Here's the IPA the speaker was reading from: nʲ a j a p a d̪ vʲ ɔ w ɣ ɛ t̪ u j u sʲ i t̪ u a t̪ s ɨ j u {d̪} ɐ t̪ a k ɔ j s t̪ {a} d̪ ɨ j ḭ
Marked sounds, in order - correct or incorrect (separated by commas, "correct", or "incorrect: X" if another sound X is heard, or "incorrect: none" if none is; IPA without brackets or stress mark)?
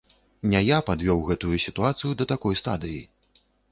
correct, correct